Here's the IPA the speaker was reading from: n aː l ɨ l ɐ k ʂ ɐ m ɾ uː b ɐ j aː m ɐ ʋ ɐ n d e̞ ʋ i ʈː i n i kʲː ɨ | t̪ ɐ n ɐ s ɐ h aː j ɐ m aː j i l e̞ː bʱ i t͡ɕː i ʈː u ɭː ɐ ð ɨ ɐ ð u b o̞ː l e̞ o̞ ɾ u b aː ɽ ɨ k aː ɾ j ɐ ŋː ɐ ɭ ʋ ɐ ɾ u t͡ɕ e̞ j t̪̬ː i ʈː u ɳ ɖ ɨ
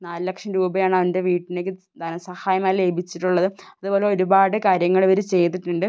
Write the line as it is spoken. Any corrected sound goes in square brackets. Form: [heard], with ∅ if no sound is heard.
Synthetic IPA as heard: n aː l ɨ l ɐ k ʂ ɐ m ɾ uː b ɐ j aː [ɳ] ɐ ʋ ɐ n d e̞ ʋ [iː] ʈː i n [e] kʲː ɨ | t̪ ɐ n ɐ s ɐ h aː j ɐ m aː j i l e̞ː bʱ i t͡ɕː i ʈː u ɭː ɐ ð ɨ ɐ ð u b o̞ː l e̞ o̞ ɾ u b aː ɽ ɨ k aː ɾ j ɐ ŋː ɐ ɭ ʋ ɐ ɾ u t͡ɕ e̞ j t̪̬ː i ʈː u ɳ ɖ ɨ